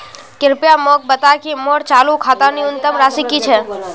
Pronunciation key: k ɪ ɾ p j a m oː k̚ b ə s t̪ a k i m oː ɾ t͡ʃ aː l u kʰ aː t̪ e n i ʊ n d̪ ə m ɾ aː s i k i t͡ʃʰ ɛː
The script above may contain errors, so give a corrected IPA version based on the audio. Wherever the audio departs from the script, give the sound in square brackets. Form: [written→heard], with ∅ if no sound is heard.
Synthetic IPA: k ɪ ɾ p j a m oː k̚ b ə [s→∅] t̪ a k i m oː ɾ t͡ʃ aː l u kʰ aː t̪ [e→a] n i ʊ n [d̪→t̪] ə m ɾ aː s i k i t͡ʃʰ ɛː